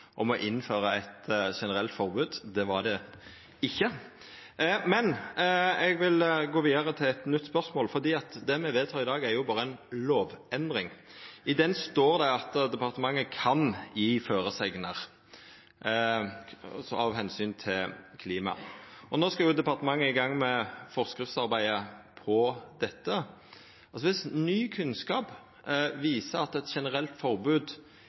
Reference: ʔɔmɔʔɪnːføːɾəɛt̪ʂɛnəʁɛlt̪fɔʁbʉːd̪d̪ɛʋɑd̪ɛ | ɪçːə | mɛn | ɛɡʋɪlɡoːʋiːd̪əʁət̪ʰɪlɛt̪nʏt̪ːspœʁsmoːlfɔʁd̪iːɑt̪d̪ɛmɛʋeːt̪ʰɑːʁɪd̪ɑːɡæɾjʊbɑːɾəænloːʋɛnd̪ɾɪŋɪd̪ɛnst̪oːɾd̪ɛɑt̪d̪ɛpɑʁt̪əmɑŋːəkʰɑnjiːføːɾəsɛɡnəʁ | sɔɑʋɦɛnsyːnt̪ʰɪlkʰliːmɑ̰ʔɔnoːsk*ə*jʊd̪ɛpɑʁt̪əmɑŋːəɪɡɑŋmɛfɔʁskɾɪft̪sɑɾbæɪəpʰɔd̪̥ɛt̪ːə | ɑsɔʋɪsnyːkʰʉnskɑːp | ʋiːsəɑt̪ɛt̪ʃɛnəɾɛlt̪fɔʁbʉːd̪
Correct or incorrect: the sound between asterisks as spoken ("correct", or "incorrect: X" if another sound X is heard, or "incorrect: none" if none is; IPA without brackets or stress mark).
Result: incorrect: ɑ